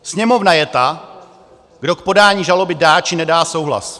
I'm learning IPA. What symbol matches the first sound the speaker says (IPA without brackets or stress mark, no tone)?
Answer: s